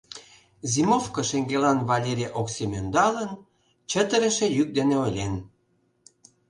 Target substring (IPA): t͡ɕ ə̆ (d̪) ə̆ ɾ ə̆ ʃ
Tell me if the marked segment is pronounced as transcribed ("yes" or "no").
no